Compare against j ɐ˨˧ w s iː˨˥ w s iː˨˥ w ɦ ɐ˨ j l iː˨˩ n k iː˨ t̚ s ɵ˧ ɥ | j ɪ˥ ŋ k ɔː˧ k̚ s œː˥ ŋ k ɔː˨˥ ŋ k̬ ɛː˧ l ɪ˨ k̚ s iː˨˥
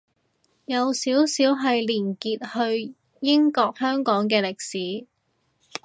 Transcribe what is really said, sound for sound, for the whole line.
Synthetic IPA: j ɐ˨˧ w s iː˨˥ w s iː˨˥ w ɦ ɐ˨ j l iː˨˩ n k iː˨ t̚ h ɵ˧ ɥ | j ɪ˥ ŋ k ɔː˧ k̚ h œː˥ ŋ k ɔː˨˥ ŋ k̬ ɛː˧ l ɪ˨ k̚ s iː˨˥